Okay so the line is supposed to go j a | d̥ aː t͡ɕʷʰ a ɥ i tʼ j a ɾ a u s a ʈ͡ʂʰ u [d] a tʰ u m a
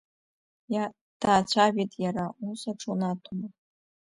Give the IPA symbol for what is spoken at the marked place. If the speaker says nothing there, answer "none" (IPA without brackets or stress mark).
n